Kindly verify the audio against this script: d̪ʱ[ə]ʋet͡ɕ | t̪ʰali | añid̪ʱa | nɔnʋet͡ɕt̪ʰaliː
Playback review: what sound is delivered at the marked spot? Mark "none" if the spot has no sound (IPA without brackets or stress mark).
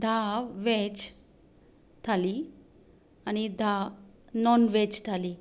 a